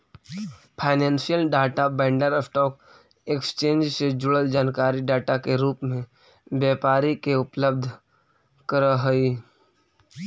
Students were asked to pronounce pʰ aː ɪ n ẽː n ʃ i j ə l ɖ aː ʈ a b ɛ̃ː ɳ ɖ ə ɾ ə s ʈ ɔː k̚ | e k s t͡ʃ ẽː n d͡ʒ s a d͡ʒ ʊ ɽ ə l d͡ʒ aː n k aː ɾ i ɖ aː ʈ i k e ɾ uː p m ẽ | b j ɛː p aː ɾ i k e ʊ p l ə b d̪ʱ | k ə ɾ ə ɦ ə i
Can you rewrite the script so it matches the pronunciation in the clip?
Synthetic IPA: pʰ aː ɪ n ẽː n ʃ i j ə l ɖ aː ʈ a b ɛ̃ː ɳ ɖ ə ɾ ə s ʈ ɔː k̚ | e k s t͡ʃ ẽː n d͡ʒ s e d͡ʒ ʊ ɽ ə l d͡ʒ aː n k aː ɾ i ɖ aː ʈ a k e ɾ uː p m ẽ | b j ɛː p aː ɾ i k e ʊ p l ə b d̪ʱ | k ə ɾ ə ɦ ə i